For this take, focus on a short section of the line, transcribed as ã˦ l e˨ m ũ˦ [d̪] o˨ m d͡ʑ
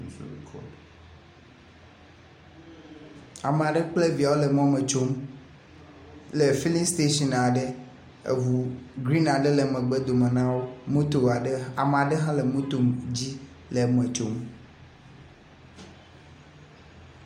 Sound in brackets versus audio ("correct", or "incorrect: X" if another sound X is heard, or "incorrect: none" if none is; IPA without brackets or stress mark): incorrect: t̪